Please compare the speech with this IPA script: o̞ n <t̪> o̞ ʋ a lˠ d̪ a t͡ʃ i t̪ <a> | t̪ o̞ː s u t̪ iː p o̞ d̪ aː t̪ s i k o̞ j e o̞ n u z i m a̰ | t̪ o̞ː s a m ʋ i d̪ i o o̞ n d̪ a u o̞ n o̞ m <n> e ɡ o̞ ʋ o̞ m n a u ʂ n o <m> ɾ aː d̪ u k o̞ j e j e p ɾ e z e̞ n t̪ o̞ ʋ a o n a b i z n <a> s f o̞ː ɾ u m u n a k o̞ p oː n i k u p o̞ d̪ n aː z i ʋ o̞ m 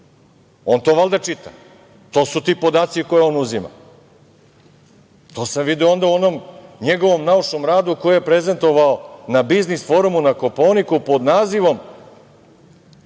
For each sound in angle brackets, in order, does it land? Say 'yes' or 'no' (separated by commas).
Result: yes, yes, no, yes, no